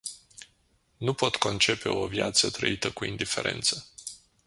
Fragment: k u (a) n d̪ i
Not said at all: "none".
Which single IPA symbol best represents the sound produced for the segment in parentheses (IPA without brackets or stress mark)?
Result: i